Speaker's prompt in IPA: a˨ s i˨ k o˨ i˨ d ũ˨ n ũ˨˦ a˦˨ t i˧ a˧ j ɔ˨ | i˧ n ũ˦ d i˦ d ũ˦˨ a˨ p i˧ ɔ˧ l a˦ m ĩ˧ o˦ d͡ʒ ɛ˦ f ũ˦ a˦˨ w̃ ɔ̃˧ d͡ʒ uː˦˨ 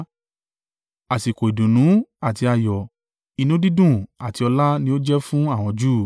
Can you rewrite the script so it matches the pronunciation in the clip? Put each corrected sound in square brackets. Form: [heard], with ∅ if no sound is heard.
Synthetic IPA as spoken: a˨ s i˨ k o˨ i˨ d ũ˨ n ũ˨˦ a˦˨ t i˧ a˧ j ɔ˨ | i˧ n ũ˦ d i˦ d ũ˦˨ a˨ [t] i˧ ɔ˧ l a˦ [n] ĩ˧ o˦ d͡ʒ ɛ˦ f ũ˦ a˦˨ w̃ ɔ̃˧ d͡ʒ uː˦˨